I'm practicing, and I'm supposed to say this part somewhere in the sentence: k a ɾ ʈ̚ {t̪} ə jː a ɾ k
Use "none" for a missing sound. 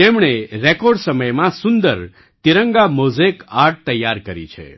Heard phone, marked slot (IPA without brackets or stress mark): t̪